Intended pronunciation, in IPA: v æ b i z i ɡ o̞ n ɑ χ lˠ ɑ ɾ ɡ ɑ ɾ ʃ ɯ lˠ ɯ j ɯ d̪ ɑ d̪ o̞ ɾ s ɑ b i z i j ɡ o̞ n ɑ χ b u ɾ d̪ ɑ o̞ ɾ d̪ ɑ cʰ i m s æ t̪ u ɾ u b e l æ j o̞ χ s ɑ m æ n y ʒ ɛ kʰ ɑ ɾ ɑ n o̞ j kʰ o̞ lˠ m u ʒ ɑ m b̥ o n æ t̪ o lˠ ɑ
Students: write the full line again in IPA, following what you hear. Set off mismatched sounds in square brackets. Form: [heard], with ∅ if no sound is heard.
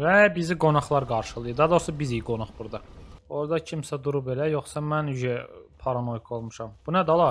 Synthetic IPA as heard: v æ b i z i ɡ o̞ n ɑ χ lˠ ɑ ɾ ɡ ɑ ɾ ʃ ɯ lˠ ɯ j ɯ d̪ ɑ d̪ o̞ ɾ s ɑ b i z i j ɡ o̞ n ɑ χ b u ɾ d̪ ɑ o̞ ɾ d̪ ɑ cʰ i m s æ [d̪] u ɾ u b e l æ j o̞ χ s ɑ m æ n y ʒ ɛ [pʰ] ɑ ɾ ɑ n o̞ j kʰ o̞ lˠ m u [ʃ] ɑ m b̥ [u] n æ [d̪] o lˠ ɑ